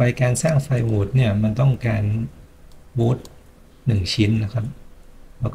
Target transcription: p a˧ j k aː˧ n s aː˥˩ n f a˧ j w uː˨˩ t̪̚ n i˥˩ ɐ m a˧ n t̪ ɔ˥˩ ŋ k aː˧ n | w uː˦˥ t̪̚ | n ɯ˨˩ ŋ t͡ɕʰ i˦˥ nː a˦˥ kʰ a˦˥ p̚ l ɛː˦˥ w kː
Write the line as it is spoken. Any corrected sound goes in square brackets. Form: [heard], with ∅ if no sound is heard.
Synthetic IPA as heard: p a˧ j k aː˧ n s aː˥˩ [ŋ] f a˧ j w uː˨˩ t̪̚ n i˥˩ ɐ m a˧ n t̪ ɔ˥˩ ŋ k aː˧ n | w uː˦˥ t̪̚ | n ɯ˨˩ ŋ t͡ɕʰ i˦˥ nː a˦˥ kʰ a˦˥ p̚ l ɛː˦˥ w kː